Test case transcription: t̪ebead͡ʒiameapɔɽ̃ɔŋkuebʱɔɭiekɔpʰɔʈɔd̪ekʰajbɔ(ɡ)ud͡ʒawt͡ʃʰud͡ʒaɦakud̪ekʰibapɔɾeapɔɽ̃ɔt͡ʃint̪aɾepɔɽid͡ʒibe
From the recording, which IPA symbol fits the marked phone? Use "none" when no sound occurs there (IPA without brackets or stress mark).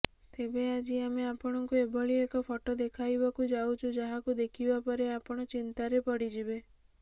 k